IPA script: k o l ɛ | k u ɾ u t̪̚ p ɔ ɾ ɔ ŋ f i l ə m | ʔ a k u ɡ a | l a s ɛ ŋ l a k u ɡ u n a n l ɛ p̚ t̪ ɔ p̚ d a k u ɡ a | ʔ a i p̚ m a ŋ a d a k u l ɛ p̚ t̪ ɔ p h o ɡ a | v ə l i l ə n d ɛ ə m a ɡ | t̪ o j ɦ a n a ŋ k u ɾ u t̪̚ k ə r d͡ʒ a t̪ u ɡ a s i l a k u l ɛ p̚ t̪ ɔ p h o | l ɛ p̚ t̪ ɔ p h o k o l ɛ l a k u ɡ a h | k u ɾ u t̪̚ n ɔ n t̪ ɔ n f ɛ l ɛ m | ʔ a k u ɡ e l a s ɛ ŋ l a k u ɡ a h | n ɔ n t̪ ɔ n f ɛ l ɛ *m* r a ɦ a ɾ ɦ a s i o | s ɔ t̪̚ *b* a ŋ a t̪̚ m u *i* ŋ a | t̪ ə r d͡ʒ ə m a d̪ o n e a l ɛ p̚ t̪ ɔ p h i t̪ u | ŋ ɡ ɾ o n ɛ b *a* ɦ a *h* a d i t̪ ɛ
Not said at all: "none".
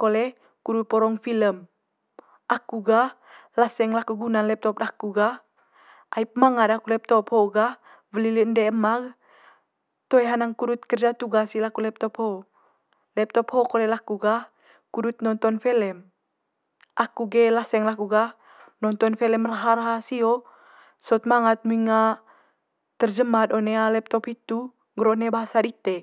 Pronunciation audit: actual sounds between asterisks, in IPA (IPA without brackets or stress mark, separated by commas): m, m, i, a, s